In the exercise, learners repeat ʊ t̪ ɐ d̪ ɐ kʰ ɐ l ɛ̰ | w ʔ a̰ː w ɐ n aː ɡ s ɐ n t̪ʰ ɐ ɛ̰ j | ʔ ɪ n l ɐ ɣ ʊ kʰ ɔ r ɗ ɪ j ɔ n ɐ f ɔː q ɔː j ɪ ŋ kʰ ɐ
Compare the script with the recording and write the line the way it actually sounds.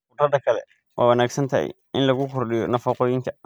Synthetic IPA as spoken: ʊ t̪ ɐ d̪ ɐ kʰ ɐ l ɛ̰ | w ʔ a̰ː w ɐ n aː ɡ s ɐ n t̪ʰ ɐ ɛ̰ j | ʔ ɪ n l ɐ ɣ ʊ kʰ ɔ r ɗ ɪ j ɔ n ɐ f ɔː q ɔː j ɪ ŋ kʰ ɐ